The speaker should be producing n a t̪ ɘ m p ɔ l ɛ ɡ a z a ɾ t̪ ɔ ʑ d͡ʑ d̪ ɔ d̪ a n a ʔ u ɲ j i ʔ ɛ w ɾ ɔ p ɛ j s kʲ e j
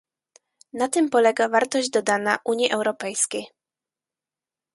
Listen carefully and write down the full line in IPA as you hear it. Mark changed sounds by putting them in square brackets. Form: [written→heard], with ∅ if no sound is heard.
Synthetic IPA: n a t̪ ɘ m p ɔ l ɛ ɡ a [z→v] a ɾ t̪ ɔ ʑ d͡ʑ d̪ ɔ d̪ a n a ʔ u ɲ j i ʔ ɛ w ɾ ɔ p ɛ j s kʲ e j